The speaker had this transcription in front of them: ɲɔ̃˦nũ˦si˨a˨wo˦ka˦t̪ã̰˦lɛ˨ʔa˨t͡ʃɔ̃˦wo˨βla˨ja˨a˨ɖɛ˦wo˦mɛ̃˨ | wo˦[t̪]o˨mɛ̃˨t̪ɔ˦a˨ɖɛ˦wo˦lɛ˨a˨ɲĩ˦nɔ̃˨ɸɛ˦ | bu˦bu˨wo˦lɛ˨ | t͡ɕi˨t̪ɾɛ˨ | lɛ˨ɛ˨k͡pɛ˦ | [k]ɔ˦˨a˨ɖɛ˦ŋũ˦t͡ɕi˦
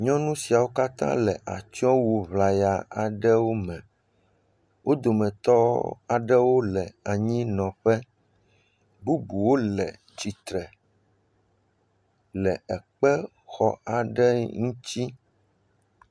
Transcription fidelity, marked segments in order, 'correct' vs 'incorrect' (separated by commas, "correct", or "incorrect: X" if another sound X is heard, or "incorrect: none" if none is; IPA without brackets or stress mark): incorrect: d̪, incorrect: x